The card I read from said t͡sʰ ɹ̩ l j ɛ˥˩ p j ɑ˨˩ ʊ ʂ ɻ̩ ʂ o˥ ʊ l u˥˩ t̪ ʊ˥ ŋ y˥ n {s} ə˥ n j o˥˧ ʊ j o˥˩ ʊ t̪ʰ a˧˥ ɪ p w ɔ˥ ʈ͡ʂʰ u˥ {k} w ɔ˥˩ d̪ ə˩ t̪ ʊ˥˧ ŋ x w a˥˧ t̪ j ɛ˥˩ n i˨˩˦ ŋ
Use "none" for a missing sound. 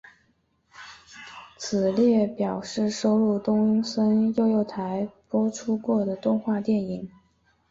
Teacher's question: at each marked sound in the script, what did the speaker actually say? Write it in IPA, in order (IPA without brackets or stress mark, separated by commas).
s, k